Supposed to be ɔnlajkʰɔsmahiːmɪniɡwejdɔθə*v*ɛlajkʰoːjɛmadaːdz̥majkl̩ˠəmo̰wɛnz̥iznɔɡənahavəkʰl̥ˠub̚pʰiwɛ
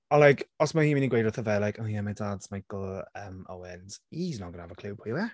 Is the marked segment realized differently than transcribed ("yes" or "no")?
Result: no